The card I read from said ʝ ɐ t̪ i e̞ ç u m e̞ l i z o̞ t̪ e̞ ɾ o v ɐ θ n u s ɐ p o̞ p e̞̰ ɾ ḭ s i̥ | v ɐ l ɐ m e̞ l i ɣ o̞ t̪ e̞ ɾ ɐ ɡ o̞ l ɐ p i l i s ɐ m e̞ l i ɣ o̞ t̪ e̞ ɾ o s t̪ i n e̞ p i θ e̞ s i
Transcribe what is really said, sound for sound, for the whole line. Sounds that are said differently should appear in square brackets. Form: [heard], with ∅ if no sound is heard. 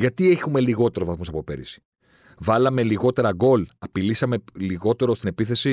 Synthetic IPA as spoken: ʝ ɐ t̪ i e̞ ç u m e̞ l i [ɣ] o̞ t̪ e̞ ɾ o v ɐ θ [m] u s ɐ p o̞ p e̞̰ ɾ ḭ s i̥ | v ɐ l ɐ m e̞ l i ɣ o̞ t̪ e̞ ɾ ɐ ɡ o̞ l ɐ p i l i s ɐ m e̞ l i ɣ o̞ t̪ e̞ ɾ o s t̪ i n e̞ p i θ e̞ s i